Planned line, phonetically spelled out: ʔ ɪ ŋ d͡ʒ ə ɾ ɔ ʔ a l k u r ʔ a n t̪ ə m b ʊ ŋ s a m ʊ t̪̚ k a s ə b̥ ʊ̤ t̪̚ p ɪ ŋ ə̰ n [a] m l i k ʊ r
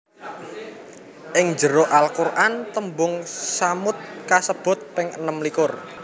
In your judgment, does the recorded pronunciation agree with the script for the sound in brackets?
no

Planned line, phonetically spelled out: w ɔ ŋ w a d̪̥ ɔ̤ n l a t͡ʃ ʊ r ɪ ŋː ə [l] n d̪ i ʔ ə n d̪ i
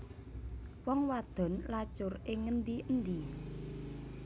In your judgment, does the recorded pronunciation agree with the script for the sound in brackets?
no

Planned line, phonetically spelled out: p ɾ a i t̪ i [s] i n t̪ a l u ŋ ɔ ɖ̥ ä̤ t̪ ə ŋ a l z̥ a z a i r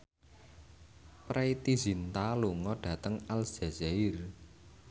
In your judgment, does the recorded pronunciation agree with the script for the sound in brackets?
no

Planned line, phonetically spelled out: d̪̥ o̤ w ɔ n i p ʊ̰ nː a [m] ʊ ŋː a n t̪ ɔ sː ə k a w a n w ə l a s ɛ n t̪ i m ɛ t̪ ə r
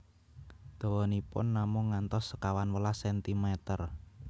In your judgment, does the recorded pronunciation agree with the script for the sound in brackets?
yes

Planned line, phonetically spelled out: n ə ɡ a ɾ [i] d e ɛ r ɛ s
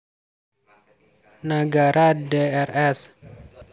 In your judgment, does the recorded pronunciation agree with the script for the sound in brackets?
no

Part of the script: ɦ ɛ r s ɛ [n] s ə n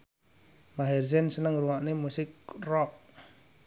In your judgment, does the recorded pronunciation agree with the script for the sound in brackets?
yes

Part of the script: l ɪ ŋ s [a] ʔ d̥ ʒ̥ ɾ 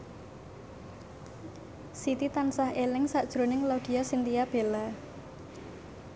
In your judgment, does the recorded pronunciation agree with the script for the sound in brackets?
yes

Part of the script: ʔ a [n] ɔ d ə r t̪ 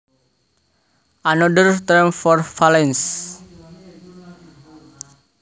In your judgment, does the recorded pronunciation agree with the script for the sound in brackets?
yes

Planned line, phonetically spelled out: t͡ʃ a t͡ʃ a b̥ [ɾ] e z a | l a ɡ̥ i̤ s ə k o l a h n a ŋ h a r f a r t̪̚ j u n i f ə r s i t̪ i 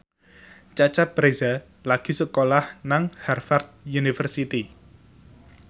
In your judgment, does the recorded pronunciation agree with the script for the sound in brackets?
yes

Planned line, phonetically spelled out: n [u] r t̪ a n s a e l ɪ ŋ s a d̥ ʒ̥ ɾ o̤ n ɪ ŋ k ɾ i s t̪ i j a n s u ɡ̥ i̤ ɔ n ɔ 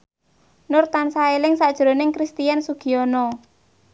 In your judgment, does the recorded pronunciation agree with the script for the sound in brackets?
no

